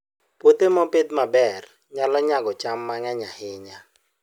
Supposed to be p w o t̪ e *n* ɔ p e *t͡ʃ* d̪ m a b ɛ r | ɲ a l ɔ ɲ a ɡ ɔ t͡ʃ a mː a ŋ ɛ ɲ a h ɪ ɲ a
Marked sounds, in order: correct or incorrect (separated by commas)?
incorrect, incorrect